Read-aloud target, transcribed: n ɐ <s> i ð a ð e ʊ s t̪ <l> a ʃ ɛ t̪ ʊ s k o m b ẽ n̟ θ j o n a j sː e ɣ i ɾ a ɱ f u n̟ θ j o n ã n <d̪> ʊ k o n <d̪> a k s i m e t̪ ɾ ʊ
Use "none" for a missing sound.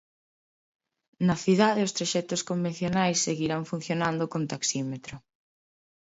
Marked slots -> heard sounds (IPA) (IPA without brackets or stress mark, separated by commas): θ, ɾ, d̪, t̪